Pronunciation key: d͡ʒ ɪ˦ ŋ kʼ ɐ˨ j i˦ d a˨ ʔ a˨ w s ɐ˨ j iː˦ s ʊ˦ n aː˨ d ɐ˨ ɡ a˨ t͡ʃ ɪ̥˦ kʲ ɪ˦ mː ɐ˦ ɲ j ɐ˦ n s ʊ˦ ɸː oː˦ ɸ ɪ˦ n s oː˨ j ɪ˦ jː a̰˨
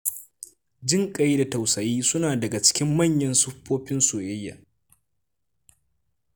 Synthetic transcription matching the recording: d͡ʒ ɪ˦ ŋ kʼ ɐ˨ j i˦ d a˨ t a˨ w s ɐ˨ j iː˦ s ʊ˦ n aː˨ d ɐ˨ ɡ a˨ t͡ʃ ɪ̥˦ kʲ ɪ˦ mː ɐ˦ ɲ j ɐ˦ n s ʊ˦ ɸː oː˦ ɸ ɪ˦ n s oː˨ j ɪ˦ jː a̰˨